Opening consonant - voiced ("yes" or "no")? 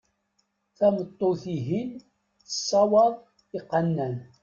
no